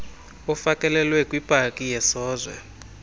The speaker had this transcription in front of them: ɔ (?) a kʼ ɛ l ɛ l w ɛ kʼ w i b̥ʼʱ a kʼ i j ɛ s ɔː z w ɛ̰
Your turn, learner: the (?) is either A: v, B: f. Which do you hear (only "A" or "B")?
B